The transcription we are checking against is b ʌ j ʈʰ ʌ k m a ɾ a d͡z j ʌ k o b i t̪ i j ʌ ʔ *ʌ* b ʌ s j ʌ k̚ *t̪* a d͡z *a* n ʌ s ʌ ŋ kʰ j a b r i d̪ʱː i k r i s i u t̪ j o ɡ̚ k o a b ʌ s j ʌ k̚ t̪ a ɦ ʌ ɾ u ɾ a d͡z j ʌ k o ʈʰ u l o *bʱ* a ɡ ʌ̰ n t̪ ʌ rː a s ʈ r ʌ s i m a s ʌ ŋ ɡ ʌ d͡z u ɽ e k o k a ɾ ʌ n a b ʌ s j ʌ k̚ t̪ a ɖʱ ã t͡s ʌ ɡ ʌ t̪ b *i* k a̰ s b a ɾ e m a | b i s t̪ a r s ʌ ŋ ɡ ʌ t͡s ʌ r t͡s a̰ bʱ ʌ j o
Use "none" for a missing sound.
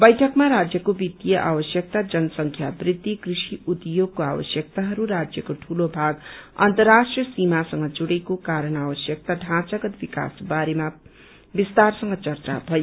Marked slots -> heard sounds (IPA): a, t̪, ʌ, bʱ, i

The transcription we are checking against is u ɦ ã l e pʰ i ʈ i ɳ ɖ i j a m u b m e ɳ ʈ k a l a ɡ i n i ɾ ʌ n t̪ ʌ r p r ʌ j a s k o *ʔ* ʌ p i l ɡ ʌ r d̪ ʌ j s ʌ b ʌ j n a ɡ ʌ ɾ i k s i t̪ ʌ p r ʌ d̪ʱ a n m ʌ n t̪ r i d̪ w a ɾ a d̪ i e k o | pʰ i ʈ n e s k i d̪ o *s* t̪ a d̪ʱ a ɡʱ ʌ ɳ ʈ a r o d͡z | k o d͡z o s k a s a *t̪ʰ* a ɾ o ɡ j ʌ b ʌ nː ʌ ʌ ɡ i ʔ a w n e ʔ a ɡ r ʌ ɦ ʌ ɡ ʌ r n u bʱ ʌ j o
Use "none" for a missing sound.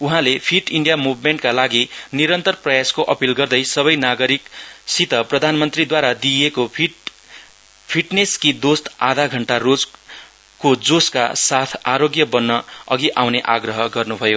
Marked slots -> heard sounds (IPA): ʔ, s, t̪ʰ

